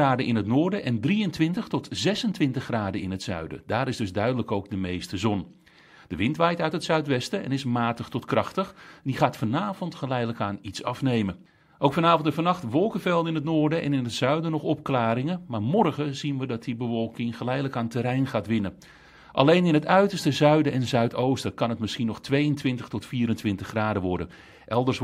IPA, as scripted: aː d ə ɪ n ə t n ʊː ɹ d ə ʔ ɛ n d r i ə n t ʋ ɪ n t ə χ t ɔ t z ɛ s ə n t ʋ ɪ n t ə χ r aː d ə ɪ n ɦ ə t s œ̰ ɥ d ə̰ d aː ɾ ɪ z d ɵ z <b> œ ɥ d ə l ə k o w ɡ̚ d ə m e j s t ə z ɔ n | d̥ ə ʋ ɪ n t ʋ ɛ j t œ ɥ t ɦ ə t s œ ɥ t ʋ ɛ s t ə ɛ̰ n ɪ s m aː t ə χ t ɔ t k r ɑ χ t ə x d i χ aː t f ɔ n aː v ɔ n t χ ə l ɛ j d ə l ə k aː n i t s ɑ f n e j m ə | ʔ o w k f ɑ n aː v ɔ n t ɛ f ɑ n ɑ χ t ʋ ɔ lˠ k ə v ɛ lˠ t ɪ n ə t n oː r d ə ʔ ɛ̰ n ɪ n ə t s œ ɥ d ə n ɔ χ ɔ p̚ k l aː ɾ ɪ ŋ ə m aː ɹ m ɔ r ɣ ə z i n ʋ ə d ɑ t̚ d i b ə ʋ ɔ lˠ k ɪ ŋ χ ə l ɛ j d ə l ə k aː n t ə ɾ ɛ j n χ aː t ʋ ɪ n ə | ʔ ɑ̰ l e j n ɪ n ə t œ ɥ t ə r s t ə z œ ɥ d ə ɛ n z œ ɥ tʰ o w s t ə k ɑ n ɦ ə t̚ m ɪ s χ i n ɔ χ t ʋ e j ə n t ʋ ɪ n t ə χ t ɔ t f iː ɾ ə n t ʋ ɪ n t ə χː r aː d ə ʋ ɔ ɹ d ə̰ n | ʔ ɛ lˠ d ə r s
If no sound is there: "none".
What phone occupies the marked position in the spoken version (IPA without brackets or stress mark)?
d